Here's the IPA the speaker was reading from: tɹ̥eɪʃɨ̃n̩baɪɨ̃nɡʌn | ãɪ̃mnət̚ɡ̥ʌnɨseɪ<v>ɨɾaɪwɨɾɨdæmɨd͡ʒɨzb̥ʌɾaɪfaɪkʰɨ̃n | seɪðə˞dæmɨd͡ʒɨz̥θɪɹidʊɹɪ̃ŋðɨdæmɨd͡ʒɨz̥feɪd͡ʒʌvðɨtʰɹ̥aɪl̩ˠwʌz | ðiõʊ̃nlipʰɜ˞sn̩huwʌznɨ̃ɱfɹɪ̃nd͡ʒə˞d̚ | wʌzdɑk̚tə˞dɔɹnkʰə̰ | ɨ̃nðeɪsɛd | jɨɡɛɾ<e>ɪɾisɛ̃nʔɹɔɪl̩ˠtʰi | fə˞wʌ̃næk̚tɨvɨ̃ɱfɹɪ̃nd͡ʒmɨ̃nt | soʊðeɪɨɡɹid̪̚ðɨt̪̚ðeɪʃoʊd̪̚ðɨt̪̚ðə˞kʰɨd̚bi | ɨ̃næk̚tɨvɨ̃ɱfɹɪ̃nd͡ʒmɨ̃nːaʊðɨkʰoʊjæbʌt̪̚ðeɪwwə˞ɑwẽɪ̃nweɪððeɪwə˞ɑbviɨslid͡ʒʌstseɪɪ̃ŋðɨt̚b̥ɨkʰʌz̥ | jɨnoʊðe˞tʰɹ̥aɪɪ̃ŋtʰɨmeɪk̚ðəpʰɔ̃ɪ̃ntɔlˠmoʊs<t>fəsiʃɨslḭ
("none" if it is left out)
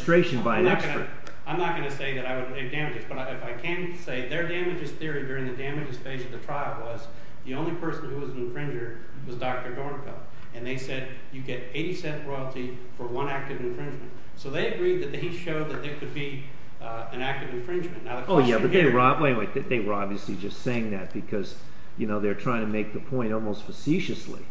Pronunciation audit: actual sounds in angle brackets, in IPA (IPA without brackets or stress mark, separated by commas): ð, e, t